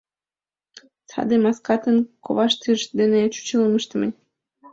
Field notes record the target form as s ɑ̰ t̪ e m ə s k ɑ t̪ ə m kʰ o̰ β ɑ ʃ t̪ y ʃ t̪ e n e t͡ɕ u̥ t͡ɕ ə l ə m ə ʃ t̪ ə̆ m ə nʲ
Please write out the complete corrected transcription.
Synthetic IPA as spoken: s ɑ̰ d̪ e m ɑ s k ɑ t̪ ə n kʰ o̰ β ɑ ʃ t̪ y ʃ d̪ e n e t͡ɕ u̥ t͡ɕ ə l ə m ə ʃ t̪ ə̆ m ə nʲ